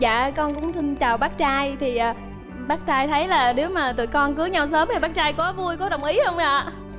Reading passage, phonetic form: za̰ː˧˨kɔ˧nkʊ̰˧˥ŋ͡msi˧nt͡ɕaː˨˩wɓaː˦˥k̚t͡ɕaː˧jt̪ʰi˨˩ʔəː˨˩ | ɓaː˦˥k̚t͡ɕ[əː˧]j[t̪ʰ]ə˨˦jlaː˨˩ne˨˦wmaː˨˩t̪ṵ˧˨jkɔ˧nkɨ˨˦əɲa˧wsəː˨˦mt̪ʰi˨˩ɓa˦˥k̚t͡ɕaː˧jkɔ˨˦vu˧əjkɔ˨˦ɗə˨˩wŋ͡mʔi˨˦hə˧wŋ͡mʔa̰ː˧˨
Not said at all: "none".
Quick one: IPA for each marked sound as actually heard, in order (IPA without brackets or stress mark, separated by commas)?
aː˧, t̪ʰ